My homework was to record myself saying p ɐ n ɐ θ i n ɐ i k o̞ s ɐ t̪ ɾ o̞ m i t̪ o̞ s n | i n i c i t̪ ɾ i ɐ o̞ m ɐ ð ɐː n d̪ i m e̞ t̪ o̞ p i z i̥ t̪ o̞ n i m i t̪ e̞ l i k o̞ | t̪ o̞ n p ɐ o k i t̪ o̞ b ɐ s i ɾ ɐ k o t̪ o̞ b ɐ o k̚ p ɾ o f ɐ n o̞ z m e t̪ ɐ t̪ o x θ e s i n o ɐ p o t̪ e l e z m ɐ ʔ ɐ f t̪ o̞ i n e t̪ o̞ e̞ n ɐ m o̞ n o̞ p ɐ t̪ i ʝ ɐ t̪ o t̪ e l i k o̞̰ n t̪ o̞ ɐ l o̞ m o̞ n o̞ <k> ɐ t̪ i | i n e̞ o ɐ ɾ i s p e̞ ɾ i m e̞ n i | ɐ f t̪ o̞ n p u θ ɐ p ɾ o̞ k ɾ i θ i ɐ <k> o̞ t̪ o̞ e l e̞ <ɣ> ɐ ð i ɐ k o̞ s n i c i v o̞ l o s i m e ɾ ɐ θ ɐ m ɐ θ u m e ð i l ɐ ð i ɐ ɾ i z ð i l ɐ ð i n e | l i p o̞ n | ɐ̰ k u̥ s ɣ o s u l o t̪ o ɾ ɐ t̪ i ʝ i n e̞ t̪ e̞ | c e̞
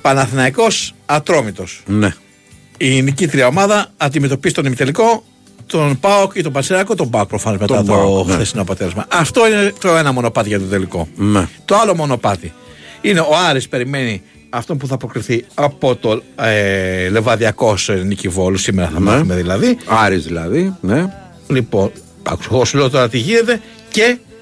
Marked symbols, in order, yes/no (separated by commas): no, no, no